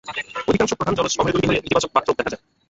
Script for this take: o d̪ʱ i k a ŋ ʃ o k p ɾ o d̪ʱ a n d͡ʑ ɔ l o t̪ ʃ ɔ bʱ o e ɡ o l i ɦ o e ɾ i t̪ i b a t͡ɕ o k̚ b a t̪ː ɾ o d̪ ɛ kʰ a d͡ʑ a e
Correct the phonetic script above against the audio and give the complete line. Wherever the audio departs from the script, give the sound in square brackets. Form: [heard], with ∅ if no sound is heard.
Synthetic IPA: o d̪ʱ i k a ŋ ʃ o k p ɾ o d̪ʱ a n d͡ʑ ɔ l o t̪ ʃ ɔ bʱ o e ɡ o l i ɦ o e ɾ i t̪ i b a t͡ɕ o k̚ b a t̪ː ɾ o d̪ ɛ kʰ a d͡ʑ a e